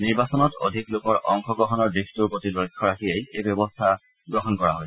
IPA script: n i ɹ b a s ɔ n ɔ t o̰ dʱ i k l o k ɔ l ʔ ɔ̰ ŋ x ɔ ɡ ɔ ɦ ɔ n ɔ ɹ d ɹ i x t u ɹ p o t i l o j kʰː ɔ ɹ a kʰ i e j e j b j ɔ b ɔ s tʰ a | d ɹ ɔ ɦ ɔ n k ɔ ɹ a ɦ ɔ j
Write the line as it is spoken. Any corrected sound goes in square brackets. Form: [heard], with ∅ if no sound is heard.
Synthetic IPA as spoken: n i ɹ b a s ɔ n ɔ t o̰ dʱ i k l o k ɔ [ɹ] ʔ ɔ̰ ŋ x ɔ ɡ ɔ ɦ ɔ n ɔ ɹ d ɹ i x t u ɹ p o t i l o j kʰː ɔ ɹ a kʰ i e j e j b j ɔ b ɔ s tʰ a | [ɡ] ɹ ɔ ɦ ɔ n k ɔ ɹ a ɦ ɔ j